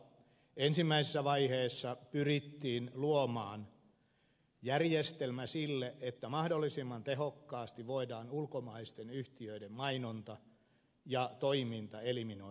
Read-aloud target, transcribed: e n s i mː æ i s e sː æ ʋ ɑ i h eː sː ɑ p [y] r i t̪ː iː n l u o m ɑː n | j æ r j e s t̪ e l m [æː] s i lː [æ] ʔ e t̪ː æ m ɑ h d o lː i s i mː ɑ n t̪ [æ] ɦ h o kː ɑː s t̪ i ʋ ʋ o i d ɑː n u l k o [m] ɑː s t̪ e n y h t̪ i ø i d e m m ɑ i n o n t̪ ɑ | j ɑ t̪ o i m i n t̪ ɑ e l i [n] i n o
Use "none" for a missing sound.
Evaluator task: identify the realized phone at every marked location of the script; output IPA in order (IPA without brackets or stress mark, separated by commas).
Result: y, æ, e, e, m, m